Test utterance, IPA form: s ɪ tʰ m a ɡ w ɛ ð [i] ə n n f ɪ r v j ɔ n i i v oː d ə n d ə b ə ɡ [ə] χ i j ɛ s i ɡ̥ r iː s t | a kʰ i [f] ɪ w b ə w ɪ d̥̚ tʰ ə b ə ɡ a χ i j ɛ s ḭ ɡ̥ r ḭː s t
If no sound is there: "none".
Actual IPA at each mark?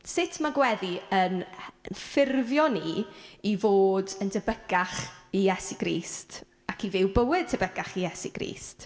i, a, v

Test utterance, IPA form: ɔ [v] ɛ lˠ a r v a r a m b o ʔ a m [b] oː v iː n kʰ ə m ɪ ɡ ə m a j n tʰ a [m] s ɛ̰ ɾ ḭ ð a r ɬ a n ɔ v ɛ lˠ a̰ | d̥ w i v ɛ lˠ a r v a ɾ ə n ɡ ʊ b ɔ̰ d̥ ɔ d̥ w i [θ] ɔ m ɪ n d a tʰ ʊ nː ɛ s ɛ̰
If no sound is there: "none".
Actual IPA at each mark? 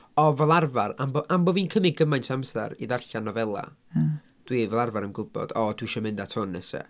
v, b, m, ʃ

